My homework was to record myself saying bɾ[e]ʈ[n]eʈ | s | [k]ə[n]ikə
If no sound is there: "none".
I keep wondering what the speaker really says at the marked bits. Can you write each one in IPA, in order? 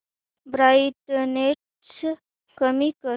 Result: a, n, k, m

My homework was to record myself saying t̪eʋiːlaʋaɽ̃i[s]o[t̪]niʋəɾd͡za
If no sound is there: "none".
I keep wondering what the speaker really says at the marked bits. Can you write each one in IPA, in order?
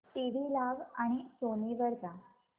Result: s, none

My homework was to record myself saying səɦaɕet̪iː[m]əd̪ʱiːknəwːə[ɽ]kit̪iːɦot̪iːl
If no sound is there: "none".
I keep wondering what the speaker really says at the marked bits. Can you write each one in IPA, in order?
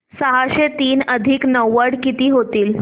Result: n, ɽ

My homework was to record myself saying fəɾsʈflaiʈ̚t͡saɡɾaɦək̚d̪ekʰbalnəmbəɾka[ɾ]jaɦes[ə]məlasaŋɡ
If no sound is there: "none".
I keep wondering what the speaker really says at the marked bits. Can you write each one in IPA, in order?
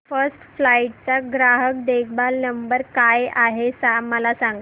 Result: none, a

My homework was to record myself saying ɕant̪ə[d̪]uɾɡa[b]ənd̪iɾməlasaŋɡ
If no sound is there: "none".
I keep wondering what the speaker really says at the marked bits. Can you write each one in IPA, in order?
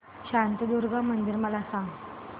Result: d̪, m

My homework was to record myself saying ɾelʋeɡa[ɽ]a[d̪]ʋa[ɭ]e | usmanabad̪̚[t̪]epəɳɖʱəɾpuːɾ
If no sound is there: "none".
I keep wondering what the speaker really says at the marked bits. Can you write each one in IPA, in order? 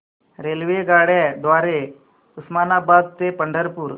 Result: ɽ, d̪, ɾ, t̪

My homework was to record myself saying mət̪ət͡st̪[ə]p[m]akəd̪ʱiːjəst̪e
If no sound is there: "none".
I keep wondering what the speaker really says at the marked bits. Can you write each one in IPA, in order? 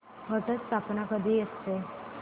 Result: a, n

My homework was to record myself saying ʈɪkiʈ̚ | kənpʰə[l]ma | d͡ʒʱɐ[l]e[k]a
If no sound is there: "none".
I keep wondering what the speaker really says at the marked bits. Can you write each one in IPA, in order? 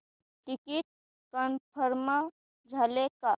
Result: ɾ, l, k

